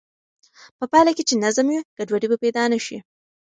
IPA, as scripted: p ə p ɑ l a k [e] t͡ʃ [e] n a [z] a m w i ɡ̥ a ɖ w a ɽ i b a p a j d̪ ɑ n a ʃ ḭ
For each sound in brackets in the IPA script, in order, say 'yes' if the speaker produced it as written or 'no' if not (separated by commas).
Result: yes, yes, yes